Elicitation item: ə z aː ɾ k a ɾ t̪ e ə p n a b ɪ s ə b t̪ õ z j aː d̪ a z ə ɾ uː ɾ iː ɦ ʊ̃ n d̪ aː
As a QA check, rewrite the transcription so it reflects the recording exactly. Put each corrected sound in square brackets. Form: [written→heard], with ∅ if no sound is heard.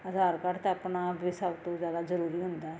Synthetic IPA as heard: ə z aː ɾ k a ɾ t̪ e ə p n a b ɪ s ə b t̪ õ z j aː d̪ a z ə ɾ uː ɾ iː ɦ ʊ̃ n d̪ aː